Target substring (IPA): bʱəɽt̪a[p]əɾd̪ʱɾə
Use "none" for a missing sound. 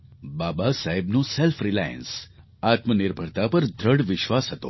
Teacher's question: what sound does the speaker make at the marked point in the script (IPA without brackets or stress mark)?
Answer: p